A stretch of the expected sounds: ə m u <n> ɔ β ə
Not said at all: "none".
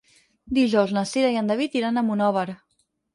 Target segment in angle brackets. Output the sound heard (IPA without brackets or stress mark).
n